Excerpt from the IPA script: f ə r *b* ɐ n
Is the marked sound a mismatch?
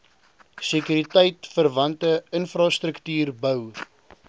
yes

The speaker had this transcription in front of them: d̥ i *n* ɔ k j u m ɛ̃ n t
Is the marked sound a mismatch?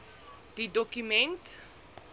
yes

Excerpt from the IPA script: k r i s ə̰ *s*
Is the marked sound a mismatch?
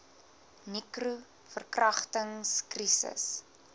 no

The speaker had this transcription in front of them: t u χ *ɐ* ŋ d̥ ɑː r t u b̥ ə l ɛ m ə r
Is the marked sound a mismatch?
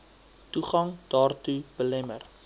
no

